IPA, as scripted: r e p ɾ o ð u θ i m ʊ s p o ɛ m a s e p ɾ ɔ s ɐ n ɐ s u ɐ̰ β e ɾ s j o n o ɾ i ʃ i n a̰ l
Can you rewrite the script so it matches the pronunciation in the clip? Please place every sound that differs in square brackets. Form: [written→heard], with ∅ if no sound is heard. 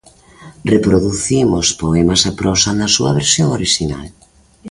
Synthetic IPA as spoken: r e p ɾ o ð u θ i m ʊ s p o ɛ m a s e p ɾ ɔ s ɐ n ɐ s u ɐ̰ β e ɾ s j o [n→ŋ] o ɾ i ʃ i n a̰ l